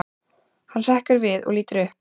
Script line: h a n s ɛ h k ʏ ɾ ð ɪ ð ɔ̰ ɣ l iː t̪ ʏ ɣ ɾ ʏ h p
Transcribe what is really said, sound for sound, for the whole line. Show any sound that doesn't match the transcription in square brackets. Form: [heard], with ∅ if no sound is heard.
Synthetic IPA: h a n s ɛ h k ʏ ɾ [v] ɪ ð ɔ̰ ɣ l iː t̪ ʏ [∅] ɾ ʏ h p

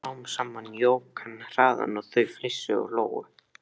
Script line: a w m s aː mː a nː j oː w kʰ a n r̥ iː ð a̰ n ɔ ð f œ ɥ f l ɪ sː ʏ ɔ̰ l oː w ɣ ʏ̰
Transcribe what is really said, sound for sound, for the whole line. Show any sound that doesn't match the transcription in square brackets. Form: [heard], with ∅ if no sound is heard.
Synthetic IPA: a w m s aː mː a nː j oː w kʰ a n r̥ [aː] ð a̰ n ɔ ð [θ] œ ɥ f l ɪ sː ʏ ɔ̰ l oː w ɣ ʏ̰

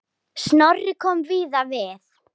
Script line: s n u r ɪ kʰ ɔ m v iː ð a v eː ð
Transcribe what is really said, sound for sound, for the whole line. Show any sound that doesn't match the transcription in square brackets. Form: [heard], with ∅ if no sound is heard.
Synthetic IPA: s n [ɔ] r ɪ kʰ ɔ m v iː ð a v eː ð

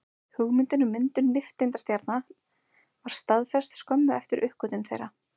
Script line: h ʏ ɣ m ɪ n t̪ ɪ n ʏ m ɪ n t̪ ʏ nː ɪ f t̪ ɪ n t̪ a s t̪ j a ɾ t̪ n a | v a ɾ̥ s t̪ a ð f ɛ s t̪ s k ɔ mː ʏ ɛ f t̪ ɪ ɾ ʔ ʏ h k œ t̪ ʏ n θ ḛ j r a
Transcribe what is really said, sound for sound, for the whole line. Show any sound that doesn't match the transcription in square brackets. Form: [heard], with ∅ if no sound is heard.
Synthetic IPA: h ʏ ɣ m ɪ n t̪ ɪ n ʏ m ɪ n t̪ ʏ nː ɪ f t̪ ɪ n t̪ a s t̪ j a ɾ t̪ n a | v a ɾ̥ s t̪ a ð f ɛ s t̪ s k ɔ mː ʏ ɛ f t̪ ɪ ɾ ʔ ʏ h k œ t̪ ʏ n θ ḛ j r a

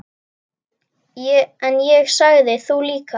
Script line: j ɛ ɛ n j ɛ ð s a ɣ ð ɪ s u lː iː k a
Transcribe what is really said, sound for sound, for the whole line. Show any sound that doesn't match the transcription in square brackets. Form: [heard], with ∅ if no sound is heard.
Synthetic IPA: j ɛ ɛ n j ɛ [ɣ] s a ɣ ð ɪ [θ] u [l] iː k a

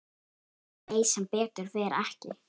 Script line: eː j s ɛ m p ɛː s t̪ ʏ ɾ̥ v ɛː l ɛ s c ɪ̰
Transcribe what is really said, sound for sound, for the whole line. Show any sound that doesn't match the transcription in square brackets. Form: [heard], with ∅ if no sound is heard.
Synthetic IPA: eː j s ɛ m p ɛː [∅] t̪ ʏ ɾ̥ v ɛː [ɾ] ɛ [h] c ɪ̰

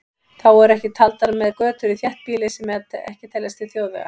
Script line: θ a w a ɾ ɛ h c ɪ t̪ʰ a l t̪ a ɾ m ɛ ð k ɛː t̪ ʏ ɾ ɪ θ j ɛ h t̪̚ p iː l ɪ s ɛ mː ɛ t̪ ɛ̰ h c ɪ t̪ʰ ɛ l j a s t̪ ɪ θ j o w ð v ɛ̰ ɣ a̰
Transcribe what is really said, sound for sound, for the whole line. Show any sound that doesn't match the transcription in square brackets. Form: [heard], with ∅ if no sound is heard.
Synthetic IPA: θ a w [ɛ] ɾ ɛ h c ɪ t̪ʰ a l t̪ a ɾ m ɛ ð k [œː] t̪ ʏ ɾ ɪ θ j ɛ h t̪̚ p iː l ɪ s ɛ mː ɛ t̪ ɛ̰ h c ɪ t̪ʰ ɛ l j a s t̪ ɪ θ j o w ð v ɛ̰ ɣ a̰

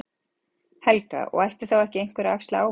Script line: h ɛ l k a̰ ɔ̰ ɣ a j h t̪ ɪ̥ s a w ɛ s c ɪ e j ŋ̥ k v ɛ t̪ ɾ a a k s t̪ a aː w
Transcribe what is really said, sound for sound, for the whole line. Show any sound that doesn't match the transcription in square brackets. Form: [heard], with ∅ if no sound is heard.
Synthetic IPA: h ɛ l k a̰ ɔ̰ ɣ a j h t̪ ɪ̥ [θ] a w ɛ [h] c ɪ e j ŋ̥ k v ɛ [∅] ɾ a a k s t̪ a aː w

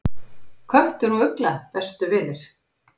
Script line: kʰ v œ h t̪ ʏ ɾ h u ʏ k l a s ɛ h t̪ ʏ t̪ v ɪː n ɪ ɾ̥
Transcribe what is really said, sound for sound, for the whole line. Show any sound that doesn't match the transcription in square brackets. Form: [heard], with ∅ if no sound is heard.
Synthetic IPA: kʰ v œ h t̪ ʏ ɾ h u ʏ k l a [θ] ɛ [s] t̪ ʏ [∅] v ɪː n ɪ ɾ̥

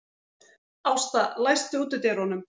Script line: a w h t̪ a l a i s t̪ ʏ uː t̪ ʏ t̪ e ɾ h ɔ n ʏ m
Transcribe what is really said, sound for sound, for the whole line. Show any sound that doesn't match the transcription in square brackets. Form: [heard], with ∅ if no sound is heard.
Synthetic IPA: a w [s] t̪ a l a [j] s t̪ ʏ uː t̪ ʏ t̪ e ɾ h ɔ n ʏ m

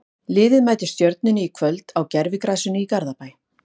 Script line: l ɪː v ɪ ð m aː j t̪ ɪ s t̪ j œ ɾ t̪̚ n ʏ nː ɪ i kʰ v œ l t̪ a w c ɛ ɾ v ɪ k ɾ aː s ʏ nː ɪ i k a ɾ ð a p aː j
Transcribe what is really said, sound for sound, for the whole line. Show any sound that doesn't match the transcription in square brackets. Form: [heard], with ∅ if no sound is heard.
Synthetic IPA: l ɪː [ð] ɪ ð m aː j t̪ ɪ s t̪ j œ ɾ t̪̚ n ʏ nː ɪ i kʰ v œ l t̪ a w c ɛ ɾ v ɪ k ɾ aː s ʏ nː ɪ i k a ɾ ð a p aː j

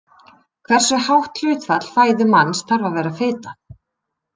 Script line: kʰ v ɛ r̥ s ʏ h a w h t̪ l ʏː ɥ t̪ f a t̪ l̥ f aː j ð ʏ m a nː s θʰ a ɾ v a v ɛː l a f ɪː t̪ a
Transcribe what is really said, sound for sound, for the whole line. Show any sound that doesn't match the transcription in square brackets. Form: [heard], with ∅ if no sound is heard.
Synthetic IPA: kʰ v ɛ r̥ s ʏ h a w h t̪ l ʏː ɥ t̪ f a t̪ l̥ f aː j ð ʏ m a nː s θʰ a ɾ v a v ɛː [ɾ] a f ɪː t̪ a

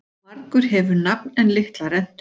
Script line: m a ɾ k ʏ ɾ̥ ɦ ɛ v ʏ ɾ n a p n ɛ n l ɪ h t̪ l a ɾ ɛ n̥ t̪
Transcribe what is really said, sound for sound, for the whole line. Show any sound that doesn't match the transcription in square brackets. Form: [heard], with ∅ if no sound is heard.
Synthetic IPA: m a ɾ k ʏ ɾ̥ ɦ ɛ v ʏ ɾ n a p n ɛ n l ɪ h t̪ l a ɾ ɛ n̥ t̪

